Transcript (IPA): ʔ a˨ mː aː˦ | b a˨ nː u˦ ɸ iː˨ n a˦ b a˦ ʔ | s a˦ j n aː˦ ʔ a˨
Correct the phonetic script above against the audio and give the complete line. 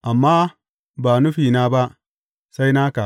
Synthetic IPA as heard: ʔ a˨ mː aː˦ | b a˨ n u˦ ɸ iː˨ n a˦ b a˦ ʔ | s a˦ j n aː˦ k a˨